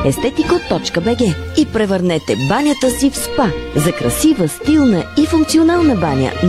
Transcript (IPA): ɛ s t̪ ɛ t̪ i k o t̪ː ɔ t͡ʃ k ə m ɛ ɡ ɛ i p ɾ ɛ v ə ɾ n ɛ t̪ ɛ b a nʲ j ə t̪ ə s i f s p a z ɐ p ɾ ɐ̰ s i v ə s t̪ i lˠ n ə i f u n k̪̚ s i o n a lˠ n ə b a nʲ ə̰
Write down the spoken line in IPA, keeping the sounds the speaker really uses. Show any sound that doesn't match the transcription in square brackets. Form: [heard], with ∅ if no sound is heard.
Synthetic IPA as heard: ɛ s t̪ ɛ t̪ i k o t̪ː ɔ t͡ʃ k ə [b] ɛ ɡ ɛ i p ɾ ɛ v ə ɾ n ɛ t̪ ɛ b a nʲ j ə t̪ ə s i f s p a z ɐ [k] ɾ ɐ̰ s i v ə s t̪ i lˠ n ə i f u [ŋ] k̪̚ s i o n a lˠ n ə b a nʲ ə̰